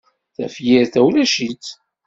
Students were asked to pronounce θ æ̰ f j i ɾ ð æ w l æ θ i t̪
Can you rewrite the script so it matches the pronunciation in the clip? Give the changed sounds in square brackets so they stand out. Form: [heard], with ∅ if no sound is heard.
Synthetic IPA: θ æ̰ f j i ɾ [θ] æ w l æ [ʃ] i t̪